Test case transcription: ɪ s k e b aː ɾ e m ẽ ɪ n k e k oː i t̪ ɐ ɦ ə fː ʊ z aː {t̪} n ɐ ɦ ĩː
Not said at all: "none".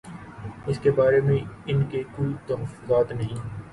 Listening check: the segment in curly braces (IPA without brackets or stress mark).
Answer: t̪